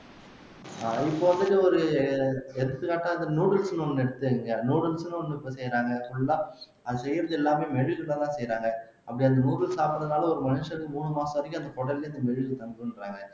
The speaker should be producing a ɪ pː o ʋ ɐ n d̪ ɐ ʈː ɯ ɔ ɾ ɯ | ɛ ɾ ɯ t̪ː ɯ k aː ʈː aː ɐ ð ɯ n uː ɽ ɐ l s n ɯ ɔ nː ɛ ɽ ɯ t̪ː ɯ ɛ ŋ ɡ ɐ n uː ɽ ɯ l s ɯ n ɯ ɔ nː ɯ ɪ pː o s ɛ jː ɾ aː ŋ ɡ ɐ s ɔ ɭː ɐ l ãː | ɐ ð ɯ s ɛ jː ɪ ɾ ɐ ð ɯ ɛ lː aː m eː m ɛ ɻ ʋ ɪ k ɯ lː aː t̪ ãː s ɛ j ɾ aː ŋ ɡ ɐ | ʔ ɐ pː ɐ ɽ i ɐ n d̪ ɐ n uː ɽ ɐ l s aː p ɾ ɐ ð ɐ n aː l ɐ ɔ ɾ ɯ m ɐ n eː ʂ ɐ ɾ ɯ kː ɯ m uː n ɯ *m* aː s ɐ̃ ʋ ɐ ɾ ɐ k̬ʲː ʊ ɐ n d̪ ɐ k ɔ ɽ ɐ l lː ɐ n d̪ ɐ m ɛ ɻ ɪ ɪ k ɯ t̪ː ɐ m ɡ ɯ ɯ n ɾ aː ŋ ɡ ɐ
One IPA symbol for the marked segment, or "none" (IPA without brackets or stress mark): m